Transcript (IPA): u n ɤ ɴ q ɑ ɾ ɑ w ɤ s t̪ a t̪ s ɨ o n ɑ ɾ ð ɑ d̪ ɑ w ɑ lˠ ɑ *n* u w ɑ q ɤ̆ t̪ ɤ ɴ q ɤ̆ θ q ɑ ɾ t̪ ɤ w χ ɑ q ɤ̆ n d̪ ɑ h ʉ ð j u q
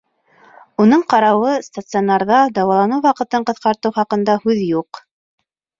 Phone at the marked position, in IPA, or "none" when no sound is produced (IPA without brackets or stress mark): n